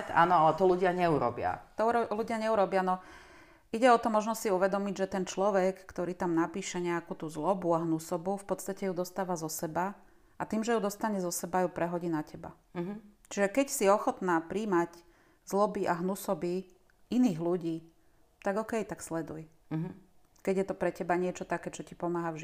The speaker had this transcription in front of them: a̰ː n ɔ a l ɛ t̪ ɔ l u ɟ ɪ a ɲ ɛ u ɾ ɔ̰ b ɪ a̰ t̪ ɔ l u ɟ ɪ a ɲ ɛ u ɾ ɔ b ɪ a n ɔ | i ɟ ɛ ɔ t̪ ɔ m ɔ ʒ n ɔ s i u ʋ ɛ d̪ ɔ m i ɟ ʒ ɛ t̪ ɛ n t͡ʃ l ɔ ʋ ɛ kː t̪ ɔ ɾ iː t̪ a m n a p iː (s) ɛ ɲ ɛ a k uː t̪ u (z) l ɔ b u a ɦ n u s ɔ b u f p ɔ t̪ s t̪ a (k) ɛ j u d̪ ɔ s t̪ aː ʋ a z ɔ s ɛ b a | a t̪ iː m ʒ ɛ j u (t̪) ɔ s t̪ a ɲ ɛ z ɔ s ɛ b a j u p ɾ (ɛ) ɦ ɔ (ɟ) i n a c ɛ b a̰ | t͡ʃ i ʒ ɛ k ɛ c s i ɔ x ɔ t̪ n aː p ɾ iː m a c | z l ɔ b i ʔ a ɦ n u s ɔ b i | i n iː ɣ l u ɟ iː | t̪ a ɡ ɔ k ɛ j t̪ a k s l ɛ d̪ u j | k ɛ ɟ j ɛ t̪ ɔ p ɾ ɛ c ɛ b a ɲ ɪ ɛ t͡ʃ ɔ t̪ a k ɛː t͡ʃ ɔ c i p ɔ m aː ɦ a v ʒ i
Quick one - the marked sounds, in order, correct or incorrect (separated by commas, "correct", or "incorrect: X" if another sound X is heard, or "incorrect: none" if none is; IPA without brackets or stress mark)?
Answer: incorrect: ʃ, correct, incorrect: c, incorrect: d̪, correct, correct